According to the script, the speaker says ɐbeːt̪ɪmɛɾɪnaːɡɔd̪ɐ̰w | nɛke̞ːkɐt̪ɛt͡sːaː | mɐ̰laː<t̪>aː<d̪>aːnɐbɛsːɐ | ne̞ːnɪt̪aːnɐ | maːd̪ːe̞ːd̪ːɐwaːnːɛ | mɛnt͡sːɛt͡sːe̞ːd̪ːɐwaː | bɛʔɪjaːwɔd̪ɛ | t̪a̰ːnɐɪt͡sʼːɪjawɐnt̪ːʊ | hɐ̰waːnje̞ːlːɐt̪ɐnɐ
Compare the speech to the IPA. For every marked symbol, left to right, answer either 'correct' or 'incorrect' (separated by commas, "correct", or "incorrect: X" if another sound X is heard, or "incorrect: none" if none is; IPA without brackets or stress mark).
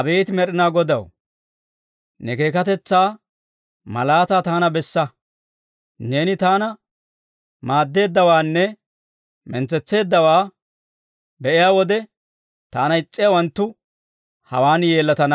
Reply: correct, incorrect: t̪